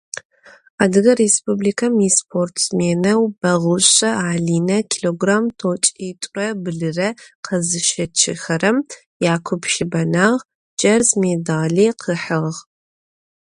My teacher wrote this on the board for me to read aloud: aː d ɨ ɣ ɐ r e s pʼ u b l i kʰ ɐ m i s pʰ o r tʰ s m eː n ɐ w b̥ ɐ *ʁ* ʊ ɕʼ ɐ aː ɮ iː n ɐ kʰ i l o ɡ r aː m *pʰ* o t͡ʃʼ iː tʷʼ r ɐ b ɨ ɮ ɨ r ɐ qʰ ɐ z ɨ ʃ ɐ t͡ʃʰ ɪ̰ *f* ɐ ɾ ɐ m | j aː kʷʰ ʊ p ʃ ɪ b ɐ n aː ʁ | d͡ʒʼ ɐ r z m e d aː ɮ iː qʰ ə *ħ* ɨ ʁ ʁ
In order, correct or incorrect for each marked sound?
correct, incorrect, incorrect, correct

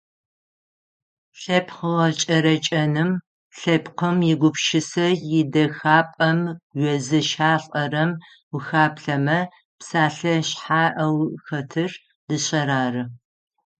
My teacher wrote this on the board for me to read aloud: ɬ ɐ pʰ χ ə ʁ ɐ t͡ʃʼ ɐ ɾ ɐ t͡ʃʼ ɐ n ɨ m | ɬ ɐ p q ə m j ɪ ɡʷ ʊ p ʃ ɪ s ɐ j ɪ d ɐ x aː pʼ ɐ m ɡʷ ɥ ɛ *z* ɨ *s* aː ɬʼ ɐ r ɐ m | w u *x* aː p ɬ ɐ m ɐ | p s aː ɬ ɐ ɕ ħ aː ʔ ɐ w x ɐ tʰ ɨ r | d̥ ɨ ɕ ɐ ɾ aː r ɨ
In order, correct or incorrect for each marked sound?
correct, incorrect, correct

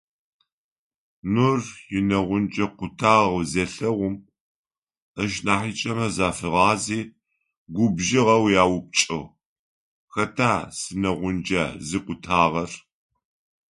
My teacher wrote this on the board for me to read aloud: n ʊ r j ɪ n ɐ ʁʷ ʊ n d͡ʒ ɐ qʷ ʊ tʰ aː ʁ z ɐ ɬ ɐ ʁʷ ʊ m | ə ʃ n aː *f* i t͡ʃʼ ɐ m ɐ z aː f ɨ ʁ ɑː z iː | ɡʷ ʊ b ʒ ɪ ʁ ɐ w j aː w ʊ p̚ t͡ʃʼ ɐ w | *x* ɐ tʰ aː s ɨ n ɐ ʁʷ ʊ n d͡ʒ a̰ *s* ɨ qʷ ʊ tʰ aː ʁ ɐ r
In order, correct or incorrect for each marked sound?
incorrect, correct, incorrect

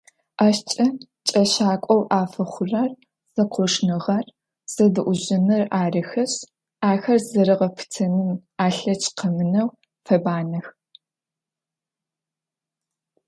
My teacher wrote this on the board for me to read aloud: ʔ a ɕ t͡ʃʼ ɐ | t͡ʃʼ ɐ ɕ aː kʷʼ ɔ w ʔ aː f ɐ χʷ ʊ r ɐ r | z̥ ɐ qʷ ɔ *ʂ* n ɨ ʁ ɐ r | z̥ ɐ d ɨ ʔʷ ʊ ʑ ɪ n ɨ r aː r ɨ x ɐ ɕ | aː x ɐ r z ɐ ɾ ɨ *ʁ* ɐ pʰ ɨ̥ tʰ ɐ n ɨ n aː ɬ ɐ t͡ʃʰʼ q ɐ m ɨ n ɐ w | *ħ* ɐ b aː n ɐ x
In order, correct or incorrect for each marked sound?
correct, correct, incorrect

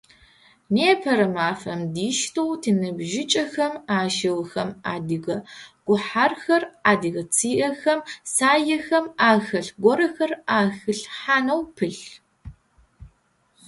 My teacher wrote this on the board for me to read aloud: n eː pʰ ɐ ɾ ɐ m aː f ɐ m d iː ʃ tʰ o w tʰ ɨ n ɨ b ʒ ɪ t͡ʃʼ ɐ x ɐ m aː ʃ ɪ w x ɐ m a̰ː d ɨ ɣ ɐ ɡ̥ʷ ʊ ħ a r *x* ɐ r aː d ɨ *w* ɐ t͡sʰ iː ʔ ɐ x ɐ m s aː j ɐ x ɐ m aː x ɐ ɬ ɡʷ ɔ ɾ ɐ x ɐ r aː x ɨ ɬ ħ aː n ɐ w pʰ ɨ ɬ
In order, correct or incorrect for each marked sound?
correct, incorrect

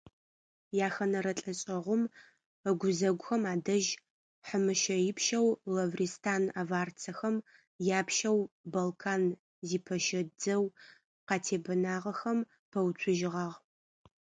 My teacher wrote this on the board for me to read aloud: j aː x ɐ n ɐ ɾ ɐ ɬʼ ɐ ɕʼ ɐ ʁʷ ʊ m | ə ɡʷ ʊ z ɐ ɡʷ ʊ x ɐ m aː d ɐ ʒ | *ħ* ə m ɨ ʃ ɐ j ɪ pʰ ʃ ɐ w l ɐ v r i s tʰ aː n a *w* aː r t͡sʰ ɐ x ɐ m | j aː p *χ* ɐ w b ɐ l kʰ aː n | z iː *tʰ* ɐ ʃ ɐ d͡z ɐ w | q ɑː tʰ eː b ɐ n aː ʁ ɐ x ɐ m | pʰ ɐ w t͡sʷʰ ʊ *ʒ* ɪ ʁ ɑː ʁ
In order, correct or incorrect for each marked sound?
correct, incorrect, incorrect, incorrect, correct

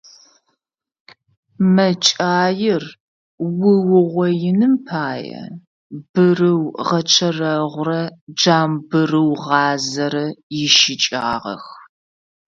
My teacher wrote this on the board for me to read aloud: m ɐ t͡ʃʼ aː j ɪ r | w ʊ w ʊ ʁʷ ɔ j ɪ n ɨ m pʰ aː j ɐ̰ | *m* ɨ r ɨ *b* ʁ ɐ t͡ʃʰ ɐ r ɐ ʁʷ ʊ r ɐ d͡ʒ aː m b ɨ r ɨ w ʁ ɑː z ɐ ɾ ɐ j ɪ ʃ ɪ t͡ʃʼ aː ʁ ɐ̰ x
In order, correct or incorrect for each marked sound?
incorrect, incorrect

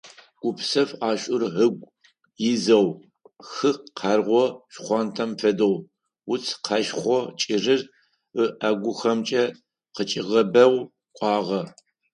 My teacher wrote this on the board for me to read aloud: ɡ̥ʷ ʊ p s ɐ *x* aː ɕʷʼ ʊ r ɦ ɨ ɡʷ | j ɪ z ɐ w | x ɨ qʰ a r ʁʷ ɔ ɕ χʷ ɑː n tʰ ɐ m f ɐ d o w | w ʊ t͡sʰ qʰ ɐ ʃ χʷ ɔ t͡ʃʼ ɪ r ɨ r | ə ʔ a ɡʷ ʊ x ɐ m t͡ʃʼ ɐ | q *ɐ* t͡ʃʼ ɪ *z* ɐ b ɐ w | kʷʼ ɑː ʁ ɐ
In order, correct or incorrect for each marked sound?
incorrect, incorrect, incorrect

